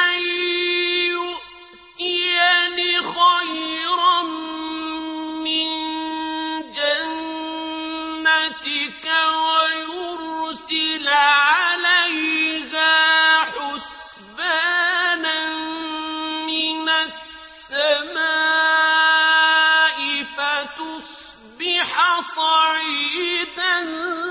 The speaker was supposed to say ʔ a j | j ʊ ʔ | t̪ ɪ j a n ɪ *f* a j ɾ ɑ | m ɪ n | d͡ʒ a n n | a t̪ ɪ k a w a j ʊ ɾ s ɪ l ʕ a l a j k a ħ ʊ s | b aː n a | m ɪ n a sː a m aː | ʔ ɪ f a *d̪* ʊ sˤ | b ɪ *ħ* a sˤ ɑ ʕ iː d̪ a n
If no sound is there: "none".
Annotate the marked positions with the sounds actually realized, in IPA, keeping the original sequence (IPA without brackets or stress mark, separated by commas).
x, t̪, ħ